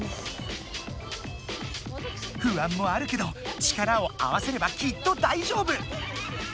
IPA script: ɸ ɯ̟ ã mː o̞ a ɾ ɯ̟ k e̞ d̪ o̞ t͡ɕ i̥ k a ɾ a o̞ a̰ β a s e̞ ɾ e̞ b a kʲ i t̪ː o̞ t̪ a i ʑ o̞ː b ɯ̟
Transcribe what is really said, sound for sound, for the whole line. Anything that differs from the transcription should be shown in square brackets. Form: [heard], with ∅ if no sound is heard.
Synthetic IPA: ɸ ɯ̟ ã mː o̞ a ɾ ɯ̟ k e̞ d̪ o̞ t͡ɕ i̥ k a ɾ a o̞ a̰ β a s e̞ ɾ e̞ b a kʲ i t̪ː o̞ [d̪] a i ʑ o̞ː b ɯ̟